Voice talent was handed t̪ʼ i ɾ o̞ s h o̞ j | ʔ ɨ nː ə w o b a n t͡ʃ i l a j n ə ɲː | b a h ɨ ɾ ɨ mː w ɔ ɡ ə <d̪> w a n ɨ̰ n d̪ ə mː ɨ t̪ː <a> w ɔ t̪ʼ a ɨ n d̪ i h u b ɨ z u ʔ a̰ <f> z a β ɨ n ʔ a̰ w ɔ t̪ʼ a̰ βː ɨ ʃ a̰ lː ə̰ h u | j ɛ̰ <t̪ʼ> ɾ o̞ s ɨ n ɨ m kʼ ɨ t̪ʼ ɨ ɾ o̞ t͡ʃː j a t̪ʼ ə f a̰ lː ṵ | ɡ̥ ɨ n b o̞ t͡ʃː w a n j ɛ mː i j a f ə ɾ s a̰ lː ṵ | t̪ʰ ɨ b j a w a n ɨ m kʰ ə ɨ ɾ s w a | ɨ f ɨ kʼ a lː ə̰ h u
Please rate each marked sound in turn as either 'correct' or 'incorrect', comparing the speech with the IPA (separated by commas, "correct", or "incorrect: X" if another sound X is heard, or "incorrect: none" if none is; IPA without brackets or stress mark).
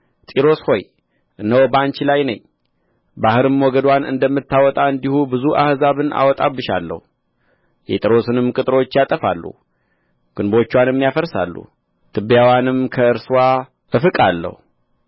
correct, correct, incorrect: h, correct